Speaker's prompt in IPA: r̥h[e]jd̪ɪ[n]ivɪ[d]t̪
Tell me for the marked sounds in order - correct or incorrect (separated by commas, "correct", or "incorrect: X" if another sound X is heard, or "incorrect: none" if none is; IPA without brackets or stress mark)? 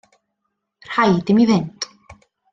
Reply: incorrect: a, incorrect: m, incorrect: n